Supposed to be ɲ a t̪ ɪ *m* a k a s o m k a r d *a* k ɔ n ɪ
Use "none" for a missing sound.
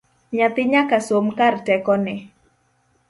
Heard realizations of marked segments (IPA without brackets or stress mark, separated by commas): ɲ, ɛ